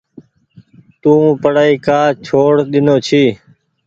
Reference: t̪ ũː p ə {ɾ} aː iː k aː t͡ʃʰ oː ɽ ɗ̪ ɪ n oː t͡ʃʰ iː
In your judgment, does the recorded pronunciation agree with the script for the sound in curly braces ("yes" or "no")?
no